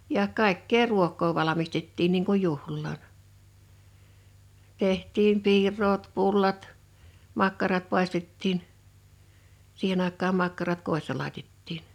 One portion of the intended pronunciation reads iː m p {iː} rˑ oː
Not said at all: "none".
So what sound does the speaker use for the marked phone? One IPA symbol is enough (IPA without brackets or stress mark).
iː